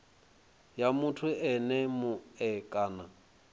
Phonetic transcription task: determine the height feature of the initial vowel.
low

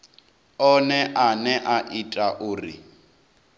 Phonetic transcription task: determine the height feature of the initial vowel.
mid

